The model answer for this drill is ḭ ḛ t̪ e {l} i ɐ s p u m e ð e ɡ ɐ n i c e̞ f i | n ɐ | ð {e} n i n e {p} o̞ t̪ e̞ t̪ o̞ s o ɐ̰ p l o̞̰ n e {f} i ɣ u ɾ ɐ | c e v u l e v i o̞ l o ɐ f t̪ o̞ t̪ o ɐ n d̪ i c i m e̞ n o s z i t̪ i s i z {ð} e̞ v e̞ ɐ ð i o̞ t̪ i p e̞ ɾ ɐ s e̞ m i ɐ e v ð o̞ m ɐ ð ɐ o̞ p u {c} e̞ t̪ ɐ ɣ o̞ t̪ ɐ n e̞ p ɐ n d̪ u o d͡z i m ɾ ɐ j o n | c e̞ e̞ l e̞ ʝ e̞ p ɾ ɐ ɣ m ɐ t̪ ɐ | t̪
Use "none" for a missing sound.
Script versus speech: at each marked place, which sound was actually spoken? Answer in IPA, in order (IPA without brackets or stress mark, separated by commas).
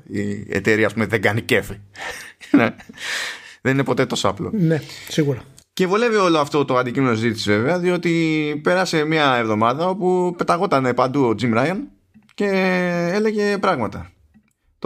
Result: ɾ, e, p, s, v, p